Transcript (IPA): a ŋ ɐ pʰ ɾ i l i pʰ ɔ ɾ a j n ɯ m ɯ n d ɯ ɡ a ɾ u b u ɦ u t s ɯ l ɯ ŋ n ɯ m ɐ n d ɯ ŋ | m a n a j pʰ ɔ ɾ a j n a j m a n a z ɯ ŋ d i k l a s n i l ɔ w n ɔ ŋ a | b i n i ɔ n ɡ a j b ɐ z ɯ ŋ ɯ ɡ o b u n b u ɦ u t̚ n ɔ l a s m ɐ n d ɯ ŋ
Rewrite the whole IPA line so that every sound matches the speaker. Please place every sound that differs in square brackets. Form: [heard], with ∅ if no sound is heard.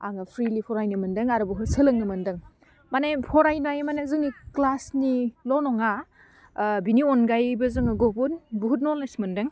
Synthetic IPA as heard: a ŋ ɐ pʰ ɾ i l i pʰ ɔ ɾ a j n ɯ m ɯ n d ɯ [ŋ] a ɾ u b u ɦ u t s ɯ l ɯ ŋ n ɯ m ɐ n d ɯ ŋ | m a n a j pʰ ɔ ɾ a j n a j m a n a z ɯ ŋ [n] i k l a s n i l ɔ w n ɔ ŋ a | b i n i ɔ n ɡ a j b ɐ z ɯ ŋ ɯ ɡ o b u n b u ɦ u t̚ n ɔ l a s m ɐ n d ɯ ŋ